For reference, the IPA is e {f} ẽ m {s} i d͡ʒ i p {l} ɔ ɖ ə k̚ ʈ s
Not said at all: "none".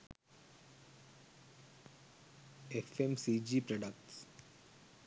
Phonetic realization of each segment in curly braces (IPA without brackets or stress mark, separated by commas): f, s, ɾ